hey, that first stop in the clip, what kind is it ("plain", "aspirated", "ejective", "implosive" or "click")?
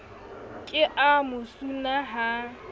ejective